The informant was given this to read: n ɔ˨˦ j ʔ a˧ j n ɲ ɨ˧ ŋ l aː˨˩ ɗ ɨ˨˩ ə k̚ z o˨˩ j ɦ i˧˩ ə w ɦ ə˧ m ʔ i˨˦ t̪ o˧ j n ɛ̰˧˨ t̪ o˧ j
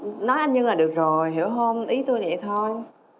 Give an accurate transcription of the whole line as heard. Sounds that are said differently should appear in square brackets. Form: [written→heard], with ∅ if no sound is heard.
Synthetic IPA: n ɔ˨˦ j ʔ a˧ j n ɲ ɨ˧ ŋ l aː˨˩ ɗ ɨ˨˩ ə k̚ z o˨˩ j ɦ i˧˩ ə w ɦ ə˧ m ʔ i˨˦ t̪ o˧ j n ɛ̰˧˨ [t̪→t̪ʰ] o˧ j

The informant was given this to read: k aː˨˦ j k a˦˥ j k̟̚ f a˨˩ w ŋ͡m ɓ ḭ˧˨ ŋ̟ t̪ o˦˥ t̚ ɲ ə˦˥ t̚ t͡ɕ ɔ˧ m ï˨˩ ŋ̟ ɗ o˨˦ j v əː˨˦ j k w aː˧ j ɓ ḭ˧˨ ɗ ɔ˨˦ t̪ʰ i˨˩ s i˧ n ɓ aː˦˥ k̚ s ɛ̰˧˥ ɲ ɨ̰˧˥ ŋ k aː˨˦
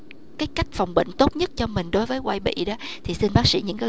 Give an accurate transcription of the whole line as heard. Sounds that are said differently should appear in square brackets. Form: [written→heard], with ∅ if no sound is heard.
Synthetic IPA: k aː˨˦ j k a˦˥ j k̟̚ f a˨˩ w ŋ͡m ɓ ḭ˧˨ ŋ̟ t̪ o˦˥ t̚ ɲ ə˦˥ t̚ t͡ɕ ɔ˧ m ï˨˩ ŋ̟ ɗ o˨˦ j v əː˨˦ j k w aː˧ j ɓ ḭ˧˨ ɗ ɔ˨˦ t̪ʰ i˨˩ s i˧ n ɓ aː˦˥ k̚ s [ɛ̰˧˥→ḭ˧˥] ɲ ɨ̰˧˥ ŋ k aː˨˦

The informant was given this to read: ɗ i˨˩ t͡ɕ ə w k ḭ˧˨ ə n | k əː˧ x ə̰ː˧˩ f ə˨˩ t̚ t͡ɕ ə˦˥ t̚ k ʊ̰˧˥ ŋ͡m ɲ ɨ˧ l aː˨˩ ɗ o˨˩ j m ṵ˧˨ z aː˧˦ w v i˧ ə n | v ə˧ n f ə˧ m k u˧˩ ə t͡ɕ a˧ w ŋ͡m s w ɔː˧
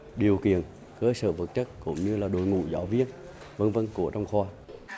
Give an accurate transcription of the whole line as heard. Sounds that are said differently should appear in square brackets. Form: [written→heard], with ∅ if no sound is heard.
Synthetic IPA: ɗ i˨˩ [t͡ɕ→∅] ə w k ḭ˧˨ ə n | k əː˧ [x→s] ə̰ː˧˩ [f→v] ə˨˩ t̚ t͡ɕ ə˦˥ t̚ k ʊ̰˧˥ ŋ͡m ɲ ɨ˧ l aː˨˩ ɗ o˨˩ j [m→ŋ] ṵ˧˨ z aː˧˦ w v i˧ ə n | v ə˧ n [f→v] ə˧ [m→n] k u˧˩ ə t͡ɕ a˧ w ŋ͡m [s→x] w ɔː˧

